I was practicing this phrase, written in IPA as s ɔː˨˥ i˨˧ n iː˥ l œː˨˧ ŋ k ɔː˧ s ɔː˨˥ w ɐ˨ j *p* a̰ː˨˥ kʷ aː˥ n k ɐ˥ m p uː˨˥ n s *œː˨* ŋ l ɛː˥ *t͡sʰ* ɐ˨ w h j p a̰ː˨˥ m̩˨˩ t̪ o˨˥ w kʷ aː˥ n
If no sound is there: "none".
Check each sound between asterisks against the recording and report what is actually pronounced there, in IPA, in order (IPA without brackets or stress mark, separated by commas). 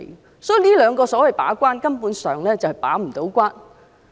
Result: p, œː˨, t͡s